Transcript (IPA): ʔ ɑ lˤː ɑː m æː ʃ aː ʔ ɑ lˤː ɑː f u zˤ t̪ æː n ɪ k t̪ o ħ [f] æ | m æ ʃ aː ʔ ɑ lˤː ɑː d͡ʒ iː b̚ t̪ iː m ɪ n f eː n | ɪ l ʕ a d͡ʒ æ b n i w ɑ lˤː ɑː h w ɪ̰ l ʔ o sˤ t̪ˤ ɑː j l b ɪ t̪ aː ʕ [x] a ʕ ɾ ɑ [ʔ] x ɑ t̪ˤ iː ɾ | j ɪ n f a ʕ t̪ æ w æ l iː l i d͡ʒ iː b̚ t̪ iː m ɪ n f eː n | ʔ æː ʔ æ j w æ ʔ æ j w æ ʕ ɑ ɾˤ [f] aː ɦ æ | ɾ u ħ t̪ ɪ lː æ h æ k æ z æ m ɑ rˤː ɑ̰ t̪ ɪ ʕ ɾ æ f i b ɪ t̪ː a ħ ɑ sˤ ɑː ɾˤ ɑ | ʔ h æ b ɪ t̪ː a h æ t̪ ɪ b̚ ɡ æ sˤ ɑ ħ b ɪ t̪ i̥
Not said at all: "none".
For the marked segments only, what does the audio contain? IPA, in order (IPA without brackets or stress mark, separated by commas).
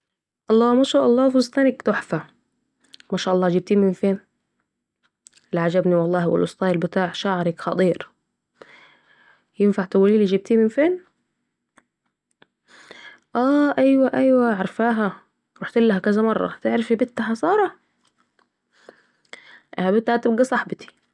f, ʃ, k, f